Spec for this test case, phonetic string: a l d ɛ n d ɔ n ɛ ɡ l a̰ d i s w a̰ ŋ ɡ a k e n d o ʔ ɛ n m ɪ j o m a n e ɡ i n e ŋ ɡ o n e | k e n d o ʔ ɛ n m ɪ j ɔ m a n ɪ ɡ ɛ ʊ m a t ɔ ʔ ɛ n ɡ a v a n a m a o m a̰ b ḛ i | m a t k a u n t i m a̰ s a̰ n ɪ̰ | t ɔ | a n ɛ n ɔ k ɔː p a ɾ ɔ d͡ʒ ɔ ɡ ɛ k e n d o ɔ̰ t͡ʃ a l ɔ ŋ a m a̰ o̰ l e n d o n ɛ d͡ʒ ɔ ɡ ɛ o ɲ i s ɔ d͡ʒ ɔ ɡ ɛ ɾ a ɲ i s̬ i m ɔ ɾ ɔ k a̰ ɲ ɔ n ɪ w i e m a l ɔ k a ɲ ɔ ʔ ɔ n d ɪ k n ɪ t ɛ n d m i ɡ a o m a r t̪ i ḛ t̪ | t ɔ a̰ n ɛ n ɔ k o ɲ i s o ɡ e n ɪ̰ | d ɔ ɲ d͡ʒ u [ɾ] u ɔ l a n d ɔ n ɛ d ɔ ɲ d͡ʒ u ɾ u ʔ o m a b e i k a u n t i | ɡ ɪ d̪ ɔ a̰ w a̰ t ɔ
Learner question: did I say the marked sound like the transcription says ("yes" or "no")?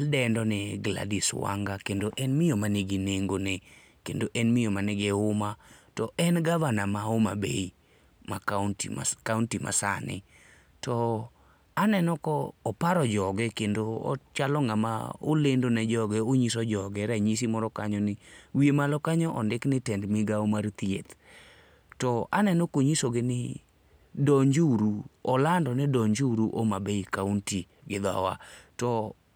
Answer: yes